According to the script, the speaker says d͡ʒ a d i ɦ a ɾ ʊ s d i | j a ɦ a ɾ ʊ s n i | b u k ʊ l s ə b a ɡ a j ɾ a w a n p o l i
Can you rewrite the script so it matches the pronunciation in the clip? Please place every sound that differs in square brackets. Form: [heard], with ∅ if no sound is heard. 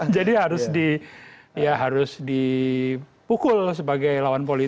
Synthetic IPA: d͡ʒ a d i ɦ a ɾ ʊ s d i | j a ɦ a ɾ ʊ s [d] i | [p] u k ʊ l s ə b a ɡ a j [l] a w a n p o l i